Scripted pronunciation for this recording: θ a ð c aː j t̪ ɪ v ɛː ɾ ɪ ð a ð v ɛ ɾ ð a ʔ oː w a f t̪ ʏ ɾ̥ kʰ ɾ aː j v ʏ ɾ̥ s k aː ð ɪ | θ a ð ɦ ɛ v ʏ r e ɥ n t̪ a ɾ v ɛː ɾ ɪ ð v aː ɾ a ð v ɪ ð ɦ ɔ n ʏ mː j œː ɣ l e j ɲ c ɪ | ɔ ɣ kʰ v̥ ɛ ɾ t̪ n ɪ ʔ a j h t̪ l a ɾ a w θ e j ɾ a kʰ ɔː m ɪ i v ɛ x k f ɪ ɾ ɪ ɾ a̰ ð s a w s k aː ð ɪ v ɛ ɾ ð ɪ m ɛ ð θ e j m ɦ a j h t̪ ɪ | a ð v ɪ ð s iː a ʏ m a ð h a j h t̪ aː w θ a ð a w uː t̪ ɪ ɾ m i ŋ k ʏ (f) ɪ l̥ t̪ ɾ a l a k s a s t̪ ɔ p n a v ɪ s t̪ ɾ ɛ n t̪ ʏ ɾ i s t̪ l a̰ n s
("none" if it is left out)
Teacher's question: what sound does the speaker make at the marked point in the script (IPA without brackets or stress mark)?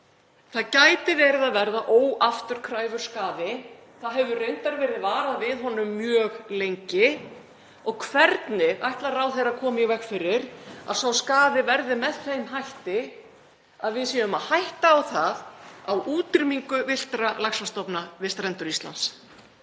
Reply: v